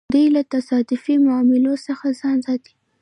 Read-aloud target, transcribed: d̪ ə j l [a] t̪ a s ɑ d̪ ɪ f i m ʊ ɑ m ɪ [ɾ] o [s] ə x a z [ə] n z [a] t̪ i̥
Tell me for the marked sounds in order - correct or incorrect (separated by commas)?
correct, incorrect, correct, incorrect, incorrect